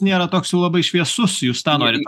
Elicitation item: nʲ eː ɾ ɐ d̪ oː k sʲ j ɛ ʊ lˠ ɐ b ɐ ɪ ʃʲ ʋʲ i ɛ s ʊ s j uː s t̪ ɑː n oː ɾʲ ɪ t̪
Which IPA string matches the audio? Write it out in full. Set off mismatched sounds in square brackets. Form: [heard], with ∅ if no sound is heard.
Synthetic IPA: nʲ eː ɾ ɐ [t̪] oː k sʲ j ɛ ʊ lˠ ɐ b ɐ ɪ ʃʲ ʋʲ i ɛ s ʊ s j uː s t̪ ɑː n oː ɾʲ ɪ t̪